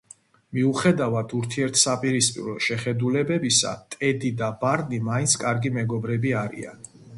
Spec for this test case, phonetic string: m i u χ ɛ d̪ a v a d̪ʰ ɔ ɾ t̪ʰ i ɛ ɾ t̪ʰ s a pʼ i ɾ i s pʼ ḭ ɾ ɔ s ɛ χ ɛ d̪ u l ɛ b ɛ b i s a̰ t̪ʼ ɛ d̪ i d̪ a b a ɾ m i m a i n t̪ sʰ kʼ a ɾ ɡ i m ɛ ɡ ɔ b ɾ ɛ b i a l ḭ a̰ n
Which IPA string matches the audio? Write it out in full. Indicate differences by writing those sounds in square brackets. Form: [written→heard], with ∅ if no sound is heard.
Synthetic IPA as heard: m i u χ ɛ d̪ a v a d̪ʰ [ɔ→u] ɾ t̪ʰ i ɛ ɾ t̪ʰ s a pʼ i ɾ i s pʼ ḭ ɾ ɔ [s→ʃ] ɛ χ ɛ d̪ u l ɛ b ɛ b i s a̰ t̪ʼ ɛ d̪ i d̪ a b a ɾ [m→n] i m a i n t̪ sʰ kʼ a ɾ ɡ i m ɛ ɡ ɔ b ɾ ɛ b i a [l→ɾ] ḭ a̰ n